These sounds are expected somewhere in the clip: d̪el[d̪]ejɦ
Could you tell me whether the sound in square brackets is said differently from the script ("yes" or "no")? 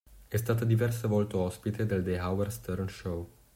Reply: no